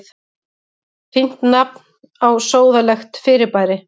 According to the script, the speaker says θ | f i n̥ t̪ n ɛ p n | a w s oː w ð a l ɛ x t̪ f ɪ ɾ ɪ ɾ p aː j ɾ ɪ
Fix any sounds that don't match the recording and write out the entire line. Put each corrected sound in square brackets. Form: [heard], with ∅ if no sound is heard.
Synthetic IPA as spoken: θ | f i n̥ t̪ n [a] p n | a w s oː w ð a l ɛ x t̪ f ɪ ɾ ɪ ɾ p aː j ɾ ɪ